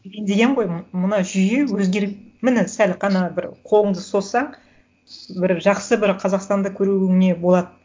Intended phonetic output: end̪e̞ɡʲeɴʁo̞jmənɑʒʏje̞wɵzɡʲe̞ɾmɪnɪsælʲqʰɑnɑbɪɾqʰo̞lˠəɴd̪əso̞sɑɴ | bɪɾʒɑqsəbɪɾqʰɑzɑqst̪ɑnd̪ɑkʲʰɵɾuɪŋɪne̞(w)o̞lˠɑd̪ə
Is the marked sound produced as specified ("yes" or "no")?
no